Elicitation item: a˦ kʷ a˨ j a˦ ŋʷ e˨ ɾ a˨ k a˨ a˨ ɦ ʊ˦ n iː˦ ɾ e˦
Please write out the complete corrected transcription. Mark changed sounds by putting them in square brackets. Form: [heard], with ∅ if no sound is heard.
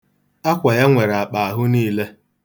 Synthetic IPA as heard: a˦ kʷ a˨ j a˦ ŋʷ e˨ ɾ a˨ [k͡p] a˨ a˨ ɦ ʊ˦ n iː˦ [l] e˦

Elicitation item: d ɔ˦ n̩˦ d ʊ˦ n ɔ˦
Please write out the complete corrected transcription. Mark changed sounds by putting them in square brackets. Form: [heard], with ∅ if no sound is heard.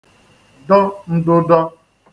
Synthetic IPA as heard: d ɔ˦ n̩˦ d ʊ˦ [d] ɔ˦

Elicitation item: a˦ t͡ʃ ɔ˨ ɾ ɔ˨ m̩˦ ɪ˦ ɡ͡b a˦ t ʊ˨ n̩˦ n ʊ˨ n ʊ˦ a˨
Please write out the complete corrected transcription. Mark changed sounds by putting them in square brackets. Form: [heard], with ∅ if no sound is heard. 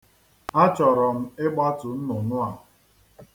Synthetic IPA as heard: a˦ t͡ʃ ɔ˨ ɾ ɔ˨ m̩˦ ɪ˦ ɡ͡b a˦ t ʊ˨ n̩˦ n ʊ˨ n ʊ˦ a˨

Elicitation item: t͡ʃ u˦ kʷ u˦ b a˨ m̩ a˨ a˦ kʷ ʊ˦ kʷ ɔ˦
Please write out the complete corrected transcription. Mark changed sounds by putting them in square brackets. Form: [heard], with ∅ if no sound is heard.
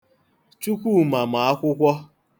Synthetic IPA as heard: t͡ʃ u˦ kʷ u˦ [m] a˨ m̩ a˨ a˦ kʷ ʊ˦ kʷ ɔ˦

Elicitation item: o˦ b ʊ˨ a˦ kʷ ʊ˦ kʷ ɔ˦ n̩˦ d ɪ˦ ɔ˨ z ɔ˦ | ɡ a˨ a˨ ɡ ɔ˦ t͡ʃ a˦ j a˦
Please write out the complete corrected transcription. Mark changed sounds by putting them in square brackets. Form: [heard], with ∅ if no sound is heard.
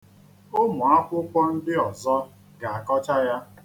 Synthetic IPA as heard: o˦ [m] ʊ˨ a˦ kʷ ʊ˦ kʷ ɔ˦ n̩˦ d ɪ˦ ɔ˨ z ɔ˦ | ɡ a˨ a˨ [k] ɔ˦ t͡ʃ a˦ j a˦

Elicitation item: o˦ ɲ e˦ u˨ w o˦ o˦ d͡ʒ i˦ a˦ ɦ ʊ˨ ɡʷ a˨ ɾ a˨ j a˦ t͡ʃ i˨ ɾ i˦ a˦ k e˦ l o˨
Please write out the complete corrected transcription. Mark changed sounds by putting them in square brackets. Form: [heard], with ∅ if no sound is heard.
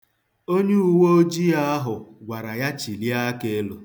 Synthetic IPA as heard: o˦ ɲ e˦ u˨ w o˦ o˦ d͡ʒ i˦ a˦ ɦ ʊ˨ ɡʷ a˨ ɾ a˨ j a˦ t͡ʃ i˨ [l] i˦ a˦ k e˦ l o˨

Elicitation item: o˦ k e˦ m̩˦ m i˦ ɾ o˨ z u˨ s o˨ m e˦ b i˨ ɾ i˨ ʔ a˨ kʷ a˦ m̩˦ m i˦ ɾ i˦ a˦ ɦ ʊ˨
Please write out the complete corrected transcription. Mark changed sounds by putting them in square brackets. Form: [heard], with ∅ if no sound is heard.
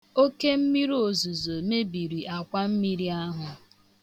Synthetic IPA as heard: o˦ k e˦ m̩˦ m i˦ ɾ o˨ z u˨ [z] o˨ m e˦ b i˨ ɾ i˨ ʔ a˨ kʷ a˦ m̩˦ m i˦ ɾ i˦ a˦ ɦ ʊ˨

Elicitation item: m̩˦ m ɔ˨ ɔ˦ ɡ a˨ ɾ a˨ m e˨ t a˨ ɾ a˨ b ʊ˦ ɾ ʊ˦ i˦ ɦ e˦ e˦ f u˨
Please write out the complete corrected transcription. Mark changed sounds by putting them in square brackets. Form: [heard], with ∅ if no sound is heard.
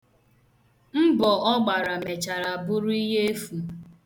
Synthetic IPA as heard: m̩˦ [b] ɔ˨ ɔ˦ [ɡ͡b] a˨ ɾ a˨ m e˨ [t͡ʃ] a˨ ɾ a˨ b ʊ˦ ɾ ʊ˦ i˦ ɦ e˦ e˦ f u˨

